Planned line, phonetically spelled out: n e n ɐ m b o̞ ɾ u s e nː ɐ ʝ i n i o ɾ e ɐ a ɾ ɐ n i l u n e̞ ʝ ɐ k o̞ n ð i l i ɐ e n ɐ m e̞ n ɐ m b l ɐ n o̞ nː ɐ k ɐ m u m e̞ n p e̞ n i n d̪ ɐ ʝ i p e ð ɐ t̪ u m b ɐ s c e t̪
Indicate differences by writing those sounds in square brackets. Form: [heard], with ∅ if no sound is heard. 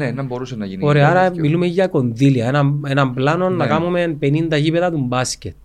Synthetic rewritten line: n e n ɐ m b o̞ ɾ u s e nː ɐ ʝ i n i o ɾ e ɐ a ɾ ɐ [m] i l u [m] e̞ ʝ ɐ k o̞ n ð i l i ɐ e n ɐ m e̞ n ɐ m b l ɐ n o̞ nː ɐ k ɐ m u m e̞ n p e̞ n i n d̪ ɐ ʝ i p e ð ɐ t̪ u m b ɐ s c e t̪